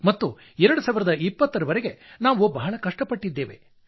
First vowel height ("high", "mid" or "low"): low